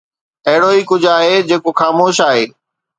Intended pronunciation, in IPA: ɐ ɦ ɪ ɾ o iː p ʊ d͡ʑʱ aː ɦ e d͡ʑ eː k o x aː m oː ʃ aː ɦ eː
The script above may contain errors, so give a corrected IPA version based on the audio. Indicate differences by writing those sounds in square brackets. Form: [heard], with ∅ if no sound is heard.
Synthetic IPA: ɐ ɦ ɪ [ɽ] o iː [k] ʊ d͡ʑʱ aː ɦ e d͡ʑ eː k o x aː m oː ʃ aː ɦ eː